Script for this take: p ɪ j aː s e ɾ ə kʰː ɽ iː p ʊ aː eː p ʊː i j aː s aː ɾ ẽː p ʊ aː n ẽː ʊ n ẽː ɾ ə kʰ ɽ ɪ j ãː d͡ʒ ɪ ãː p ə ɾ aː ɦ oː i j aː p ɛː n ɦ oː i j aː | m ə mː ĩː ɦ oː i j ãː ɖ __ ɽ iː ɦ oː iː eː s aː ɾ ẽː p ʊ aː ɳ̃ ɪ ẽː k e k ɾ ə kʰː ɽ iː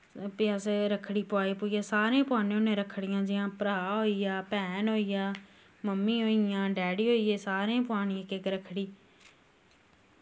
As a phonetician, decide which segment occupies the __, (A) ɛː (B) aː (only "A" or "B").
A